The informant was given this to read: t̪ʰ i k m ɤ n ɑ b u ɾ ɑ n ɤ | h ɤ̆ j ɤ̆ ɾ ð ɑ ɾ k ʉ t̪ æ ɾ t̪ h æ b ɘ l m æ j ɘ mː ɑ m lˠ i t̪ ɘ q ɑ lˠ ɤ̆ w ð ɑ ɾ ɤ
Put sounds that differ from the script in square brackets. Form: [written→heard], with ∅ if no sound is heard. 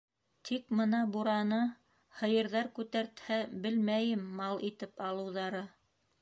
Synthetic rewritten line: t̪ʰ i k m ɤ n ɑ b u ɾ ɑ n ɤ | h ɤ̆ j ɤ̆ ɾ ð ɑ ɾ k ʉ t̪ æ ɾ t̪ h æ b ɘ l m æ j ɘ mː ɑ [m→∅] lˠ i t̪ ɘ [q→p] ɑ lˠ ɤ̆ w ð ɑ ɾ ɤ